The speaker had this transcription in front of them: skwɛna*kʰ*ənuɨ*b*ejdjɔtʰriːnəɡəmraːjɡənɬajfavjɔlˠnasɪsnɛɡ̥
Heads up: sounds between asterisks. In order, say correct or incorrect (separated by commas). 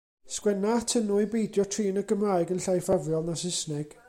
incorrect, correct